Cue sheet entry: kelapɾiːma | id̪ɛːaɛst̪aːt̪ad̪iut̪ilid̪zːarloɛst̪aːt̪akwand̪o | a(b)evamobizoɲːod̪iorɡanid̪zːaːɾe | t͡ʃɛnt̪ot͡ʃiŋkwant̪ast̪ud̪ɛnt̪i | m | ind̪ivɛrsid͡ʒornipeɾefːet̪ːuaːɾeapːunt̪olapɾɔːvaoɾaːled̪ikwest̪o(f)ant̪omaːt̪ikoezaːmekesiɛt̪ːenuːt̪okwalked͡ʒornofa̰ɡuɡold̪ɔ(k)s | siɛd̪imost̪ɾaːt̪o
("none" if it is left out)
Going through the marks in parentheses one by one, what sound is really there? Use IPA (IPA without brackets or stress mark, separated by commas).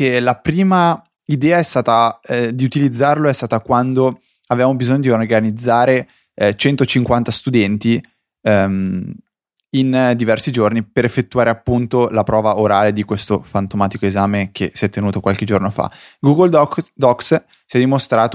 v, f, k